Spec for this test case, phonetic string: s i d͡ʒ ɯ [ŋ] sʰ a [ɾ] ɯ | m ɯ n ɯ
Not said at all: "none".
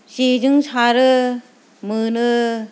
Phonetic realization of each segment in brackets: ŋ, ɾ

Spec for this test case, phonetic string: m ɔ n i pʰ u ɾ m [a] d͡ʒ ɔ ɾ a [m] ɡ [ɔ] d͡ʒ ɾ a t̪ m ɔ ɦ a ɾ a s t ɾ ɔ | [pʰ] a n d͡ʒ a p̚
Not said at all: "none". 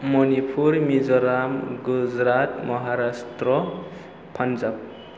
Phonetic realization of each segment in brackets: i, m, u, pʰ

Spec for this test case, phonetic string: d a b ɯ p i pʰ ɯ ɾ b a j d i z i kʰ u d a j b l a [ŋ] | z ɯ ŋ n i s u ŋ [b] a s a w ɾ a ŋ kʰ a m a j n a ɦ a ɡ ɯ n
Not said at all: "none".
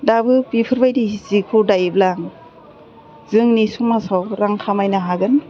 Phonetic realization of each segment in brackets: ŋ, m

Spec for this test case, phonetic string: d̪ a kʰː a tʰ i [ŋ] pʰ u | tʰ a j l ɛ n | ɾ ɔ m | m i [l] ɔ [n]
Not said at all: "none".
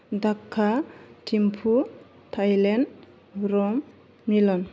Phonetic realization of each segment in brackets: m, l, n

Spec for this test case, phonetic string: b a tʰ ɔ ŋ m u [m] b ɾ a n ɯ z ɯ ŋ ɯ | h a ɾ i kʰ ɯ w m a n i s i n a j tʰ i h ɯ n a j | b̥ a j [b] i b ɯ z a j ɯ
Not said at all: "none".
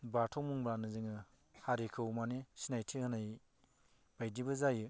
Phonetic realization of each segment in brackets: ŋ, d

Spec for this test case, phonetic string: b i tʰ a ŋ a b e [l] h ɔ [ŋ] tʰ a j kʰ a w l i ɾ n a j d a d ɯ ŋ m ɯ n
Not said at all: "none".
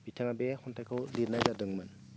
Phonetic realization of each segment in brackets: none, n

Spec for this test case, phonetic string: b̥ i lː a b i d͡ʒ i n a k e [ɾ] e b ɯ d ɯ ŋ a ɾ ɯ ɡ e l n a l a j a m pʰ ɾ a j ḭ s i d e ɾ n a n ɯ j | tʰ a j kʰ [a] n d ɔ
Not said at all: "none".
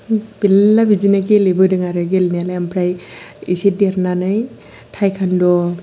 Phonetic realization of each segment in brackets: l, a

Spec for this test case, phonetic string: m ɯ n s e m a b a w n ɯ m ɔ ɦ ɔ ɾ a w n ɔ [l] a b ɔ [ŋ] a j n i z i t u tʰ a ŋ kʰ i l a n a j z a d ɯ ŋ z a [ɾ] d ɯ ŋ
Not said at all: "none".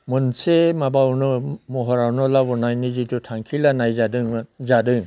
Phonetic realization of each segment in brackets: l, n, none

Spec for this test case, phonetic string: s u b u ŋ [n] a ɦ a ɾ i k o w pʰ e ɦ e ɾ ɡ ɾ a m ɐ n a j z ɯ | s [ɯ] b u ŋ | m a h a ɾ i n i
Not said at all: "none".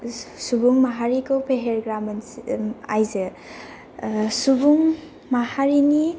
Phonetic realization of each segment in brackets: m, u

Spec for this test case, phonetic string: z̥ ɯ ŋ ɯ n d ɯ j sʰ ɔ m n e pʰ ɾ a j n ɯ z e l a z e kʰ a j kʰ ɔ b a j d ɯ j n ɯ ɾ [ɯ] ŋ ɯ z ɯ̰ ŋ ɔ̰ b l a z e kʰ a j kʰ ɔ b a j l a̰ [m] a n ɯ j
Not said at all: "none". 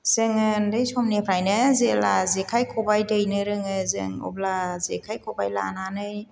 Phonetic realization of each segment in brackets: ɯ, n

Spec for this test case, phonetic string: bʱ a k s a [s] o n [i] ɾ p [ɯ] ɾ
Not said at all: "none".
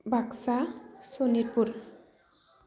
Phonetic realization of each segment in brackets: s, i, u

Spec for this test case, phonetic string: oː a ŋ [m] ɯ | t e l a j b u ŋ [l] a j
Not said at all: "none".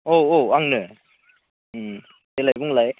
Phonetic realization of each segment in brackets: n, l

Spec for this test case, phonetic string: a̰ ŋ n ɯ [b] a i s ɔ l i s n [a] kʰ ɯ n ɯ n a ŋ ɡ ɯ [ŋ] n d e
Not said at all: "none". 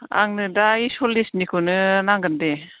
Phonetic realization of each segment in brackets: d, i, none

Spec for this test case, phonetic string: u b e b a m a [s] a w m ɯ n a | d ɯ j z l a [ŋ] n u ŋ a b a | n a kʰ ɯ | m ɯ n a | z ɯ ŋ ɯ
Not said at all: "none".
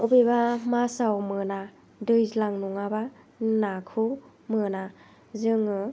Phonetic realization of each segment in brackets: s, ŋ

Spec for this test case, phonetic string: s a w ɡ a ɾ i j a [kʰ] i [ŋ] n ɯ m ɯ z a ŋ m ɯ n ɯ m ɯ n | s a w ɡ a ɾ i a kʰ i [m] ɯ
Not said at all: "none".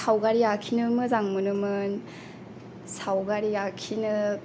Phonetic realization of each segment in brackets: kʰ, none, n

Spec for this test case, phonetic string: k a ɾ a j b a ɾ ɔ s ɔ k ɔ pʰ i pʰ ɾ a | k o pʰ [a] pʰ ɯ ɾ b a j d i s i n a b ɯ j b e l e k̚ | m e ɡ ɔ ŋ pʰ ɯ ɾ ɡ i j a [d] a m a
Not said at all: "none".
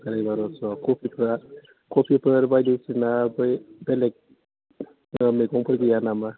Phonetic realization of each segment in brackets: i, n

